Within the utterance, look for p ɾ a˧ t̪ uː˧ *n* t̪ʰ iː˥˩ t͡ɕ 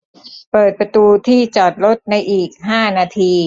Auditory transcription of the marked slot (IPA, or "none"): none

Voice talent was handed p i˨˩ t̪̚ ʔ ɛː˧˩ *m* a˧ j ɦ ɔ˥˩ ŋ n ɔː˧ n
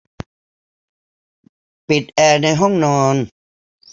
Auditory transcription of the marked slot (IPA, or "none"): n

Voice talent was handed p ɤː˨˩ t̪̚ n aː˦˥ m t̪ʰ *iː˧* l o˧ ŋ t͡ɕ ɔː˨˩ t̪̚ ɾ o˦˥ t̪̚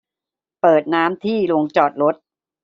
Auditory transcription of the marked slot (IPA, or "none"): iː˥˩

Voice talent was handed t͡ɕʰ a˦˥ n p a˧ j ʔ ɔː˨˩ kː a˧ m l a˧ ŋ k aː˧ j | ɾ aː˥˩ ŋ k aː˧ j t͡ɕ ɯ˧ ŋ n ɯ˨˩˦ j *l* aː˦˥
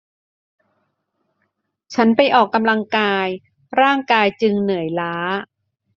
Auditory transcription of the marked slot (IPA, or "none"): l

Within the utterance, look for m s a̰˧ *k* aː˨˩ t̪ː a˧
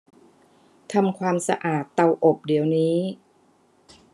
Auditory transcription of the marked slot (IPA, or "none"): ʔ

